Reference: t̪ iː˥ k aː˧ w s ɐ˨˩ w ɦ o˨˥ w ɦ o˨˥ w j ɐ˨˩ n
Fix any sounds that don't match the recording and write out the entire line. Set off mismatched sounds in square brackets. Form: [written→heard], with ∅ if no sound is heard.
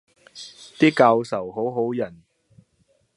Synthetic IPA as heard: t̪ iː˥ k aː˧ w s ɐ˨˩ w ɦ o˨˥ w ɦ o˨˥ w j ɐ˨˩ n